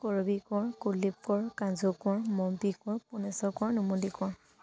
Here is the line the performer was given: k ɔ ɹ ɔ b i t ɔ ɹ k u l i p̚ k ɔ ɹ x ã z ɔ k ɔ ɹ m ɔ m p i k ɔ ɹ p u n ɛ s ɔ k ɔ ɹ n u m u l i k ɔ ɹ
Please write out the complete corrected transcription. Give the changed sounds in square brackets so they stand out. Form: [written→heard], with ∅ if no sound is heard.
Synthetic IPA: k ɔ ɹ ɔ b i [t→k] ɔ ɹ k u l i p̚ k ɔ ɹ [x→k] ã z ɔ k ɔ ɹ m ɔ m p i k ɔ ɹ p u n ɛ s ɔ k ɔ ɹ n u m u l i k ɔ ɹ